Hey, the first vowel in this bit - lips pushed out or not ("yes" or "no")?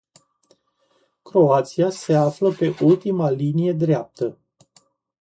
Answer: yes